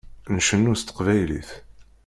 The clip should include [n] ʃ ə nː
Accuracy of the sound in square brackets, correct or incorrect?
correct